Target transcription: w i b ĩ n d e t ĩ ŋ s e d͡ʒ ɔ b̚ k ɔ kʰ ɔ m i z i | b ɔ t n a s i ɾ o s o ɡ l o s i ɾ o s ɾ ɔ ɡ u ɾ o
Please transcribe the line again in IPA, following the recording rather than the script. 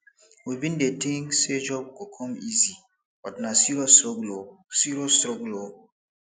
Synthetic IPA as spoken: w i b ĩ n d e t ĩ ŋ s e d͡ʒ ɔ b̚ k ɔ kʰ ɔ m i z i | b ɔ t n a s i ɾ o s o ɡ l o s i ɾ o s ɾ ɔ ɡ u l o